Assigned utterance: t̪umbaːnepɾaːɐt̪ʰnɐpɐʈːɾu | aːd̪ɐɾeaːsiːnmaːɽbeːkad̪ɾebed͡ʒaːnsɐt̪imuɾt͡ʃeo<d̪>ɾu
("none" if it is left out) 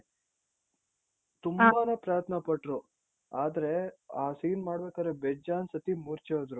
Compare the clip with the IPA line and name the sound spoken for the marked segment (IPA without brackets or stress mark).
d̪